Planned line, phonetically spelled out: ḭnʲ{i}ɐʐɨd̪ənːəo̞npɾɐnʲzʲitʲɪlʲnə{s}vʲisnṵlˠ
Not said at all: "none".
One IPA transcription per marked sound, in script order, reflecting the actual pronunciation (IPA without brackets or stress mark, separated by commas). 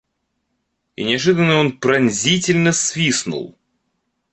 ɪ, s